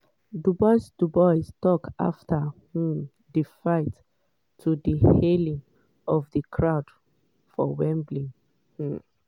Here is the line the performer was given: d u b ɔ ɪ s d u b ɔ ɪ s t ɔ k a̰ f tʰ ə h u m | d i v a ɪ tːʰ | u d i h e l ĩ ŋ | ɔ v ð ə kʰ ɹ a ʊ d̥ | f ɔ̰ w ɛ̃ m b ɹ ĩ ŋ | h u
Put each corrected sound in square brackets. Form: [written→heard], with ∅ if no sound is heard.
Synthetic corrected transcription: d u b ɔ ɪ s d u b ɔ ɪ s t ɔ k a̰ f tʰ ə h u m | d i [v→f] a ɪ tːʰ | u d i h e l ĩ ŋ | ɔ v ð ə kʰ ɹ a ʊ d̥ | f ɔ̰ w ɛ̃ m b [ɹ→l] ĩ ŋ | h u